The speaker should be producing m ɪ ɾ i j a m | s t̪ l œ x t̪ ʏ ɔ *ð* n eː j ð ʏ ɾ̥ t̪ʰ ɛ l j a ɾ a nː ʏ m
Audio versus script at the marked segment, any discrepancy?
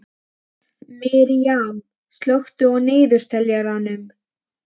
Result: yes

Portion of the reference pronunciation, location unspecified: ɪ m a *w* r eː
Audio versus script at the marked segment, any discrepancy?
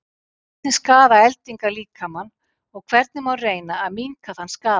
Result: no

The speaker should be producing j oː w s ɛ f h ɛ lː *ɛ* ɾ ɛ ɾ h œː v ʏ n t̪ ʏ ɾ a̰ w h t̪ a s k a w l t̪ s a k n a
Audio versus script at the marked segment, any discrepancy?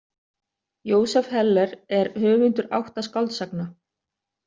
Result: no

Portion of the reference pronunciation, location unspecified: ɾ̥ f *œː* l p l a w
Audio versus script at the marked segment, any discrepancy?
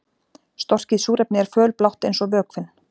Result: no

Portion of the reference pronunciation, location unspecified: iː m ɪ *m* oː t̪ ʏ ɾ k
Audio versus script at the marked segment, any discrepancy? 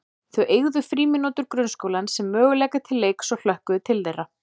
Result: yes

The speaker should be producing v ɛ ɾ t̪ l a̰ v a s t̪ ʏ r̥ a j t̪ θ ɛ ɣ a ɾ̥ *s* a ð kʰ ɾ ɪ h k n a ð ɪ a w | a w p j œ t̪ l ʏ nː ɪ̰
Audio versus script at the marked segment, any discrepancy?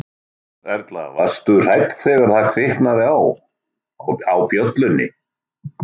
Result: yes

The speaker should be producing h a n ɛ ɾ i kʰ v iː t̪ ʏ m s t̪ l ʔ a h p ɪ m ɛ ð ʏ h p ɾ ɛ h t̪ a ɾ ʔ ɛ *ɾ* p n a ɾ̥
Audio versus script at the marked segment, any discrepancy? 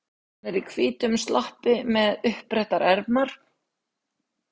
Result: no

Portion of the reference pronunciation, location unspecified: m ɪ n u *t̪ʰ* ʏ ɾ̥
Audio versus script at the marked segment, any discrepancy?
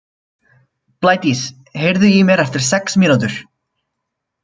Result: yes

